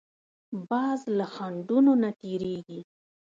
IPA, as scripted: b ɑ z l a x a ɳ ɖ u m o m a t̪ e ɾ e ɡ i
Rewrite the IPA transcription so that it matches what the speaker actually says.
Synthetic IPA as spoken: b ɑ z l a x a ɳ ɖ u n o n a t̪ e ɾ e ɡ i